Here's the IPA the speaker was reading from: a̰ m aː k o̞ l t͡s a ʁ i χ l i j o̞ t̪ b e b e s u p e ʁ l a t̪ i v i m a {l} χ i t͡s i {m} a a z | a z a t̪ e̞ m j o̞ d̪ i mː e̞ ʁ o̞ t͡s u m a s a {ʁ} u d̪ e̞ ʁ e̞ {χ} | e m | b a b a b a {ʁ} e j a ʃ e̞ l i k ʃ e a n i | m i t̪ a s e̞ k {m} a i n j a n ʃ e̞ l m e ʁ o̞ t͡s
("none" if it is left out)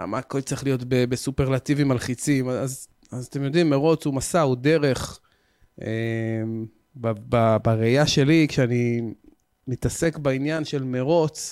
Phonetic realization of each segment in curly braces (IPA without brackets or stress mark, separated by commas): l, m, none, χ, ʁ, b